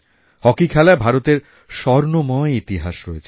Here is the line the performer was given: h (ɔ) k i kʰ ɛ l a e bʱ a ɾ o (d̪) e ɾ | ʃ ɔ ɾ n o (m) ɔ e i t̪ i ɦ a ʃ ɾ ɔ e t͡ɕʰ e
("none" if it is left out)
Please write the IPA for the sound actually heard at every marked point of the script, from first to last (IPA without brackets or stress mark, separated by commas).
ɔ, t̪, m